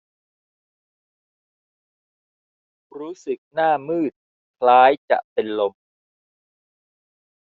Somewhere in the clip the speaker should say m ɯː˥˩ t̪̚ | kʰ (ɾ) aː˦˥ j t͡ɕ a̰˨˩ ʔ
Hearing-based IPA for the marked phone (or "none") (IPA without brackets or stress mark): l